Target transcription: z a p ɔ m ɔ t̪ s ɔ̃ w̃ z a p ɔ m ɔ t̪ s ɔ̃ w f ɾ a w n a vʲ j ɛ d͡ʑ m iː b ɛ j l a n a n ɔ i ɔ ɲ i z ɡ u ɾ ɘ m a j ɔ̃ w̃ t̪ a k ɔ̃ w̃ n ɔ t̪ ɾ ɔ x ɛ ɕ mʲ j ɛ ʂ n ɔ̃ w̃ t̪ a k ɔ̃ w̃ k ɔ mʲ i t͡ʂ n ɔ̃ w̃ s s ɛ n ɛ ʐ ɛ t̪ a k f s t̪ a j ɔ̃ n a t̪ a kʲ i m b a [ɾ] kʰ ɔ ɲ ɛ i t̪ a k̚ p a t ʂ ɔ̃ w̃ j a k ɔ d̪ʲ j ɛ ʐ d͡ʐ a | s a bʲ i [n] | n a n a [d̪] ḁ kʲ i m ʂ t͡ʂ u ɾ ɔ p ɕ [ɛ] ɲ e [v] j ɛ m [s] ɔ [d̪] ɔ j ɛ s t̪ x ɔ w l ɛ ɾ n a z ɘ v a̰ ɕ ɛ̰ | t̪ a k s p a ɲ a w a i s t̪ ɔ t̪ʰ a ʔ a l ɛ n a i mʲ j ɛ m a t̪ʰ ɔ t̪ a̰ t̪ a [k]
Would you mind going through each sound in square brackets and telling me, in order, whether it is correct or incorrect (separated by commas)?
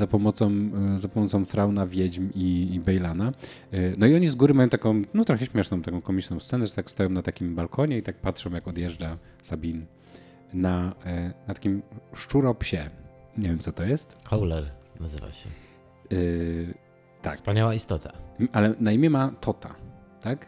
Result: incorrect, correct, incorrect, correct, correct, correct, incorrect, correct